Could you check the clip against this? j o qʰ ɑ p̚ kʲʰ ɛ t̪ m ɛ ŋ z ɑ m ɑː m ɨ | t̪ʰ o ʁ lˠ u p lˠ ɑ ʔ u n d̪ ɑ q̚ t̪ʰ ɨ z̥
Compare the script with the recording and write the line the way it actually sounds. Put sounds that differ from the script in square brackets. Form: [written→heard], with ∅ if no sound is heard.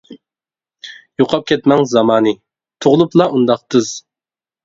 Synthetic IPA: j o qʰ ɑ p̚ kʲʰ ɛ t̪ m ɛ ŋ z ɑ m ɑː [m→n] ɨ | t̪ʰ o ʁ lˠ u p lˠ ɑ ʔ u n d̪ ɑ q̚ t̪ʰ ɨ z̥